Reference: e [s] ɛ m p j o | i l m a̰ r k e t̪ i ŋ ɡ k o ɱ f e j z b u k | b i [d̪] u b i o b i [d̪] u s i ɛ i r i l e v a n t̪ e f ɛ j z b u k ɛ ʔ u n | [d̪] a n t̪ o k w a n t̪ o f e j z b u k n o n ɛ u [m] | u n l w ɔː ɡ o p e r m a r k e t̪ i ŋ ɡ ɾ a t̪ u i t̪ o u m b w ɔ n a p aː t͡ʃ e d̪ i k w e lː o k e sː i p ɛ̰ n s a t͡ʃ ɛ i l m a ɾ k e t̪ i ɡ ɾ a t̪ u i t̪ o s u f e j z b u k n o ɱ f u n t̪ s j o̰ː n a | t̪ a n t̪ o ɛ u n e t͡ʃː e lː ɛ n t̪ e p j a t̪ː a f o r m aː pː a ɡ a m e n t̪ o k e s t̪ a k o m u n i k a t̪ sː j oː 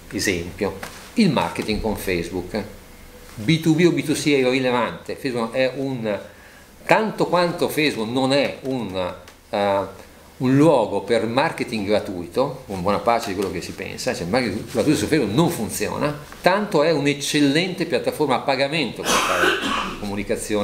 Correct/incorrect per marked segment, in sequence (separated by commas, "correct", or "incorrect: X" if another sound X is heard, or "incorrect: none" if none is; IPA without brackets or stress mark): incorrect: z, incorrect: t̪, incorrect: t̪, incorrect: t̪, incorrect: n